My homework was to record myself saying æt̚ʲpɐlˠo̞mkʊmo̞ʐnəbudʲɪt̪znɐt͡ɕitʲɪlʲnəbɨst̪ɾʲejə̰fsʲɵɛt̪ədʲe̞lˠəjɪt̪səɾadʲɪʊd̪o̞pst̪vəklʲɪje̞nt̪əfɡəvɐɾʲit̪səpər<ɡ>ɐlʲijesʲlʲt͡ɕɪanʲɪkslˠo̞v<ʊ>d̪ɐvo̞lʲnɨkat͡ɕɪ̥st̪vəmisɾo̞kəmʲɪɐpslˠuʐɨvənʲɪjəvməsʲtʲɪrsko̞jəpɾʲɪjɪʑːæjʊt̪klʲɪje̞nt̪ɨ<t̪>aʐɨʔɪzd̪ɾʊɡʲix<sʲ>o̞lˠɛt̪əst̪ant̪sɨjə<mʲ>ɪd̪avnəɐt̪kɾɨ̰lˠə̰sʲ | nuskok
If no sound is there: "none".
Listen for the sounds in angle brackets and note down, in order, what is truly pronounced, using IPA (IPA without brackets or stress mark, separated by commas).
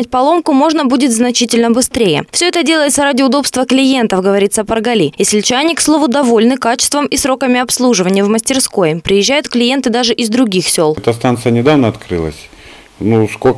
ɡ, ʊ, d̪, sʲ, nʲ